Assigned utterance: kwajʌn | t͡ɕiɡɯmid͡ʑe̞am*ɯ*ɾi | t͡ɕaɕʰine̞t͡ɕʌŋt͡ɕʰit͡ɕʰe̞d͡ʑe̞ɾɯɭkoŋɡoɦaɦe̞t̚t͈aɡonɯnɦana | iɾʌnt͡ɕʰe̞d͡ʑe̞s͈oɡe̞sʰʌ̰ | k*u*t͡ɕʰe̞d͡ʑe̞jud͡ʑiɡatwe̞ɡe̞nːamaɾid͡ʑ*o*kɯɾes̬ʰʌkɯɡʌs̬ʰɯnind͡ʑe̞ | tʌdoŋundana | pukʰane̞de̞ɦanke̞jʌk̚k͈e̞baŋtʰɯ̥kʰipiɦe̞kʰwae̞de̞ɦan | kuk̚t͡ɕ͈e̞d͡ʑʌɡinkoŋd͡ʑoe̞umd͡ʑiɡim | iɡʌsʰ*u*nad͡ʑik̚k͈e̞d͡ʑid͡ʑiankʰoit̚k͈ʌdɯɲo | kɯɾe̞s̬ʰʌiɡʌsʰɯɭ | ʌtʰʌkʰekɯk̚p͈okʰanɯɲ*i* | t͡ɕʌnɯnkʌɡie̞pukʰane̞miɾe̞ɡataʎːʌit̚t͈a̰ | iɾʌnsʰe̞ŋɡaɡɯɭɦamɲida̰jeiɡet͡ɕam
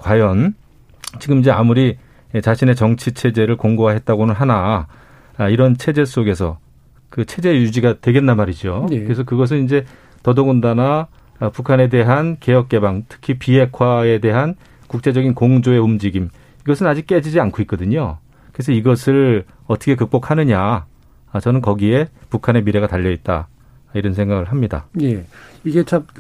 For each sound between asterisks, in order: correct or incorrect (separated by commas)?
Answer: incorrect, incorrect, correct, incorrect, incorrect